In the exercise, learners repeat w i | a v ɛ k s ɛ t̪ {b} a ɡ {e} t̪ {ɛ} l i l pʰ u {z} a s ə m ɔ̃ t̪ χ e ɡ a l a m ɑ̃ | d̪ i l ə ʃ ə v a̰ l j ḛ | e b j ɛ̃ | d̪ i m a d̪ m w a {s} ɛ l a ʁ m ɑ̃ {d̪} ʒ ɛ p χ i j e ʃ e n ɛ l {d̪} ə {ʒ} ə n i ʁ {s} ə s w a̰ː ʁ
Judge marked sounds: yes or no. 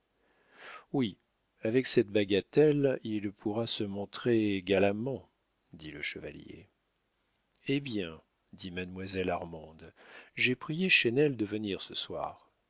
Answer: yes, no, yes, no, no, yes, yes, no, yes

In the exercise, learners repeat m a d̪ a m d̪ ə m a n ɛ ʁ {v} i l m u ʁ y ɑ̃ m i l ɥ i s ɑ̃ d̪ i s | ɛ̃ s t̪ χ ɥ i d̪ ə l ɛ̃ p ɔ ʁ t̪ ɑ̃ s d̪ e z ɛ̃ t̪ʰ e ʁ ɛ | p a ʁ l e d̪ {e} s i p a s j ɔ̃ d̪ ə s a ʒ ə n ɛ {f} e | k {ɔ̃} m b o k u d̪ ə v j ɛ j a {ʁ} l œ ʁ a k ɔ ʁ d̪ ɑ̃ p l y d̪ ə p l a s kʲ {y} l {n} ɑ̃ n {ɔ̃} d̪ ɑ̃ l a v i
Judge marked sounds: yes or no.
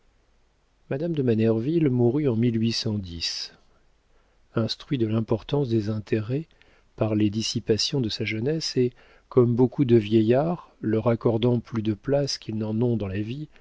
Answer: yes, no, no, no, yes, no, yes, yes

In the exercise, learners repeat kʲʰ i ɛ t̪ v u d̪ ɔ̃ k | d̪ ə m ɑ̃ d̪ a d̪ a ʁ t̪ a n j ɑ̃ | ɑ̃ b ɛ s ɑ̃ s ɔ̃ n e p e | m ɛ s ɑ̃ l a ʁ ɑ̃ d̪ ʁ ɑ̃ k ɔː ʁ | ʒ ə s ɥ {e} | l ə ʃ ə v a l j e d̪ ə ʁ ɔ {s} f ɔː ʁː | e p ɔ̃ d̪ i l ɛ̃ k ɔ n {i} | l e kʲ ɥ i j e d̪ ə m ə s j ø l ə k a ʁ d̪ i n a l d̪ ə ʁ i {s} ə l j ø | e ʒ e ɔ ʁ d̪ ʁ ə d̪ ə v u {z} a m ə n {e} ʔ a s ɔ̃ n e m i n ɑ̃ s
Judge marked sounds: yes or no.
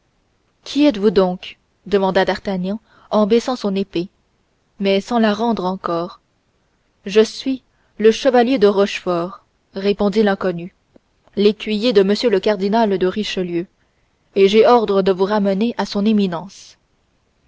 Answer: no, no, no, no, no, yes

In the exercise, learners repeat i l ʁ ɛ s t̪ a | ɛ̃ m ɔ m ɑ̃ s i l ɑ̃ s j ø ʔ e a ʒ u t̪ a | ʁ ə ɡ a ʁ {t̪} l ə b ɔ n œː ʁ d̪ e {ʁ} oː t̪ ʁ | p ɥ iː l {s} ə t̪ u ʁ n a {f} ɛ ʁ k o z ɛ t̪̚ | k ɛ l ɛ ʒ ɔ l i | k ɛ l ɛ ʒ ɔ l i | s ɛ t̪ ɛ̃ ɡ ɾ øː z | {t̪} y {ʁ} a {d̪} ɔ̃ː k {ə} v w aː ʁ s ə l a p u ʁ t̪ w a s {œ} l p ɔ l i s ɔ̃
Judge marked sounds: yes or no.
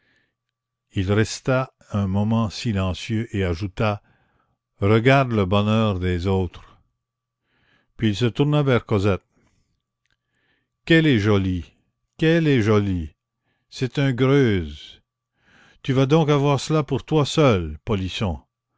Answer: no, no, yes, no, yes, no, yes, no, yes

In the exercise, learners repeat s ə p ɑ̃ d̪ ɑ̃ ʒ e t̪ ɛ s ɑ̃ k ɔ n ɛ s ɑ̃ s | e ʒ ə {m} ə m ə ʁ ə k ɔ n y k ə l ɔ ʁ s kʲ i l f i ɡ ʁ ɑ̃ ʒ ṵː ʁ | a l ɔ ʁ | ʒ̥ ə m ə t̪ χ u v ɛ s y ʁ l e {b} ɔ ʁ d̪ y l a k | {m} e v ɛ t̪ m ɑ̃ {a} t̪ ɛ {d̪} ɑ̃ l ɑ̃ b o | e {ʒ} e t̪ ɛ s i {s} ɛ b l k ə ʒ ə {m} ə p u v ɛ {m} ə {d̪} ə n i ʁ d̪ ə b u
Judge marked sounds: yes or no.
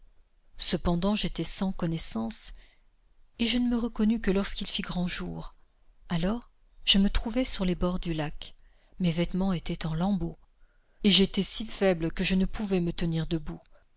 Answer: no, yes, yes, no, no, yes, no, no, yes, no

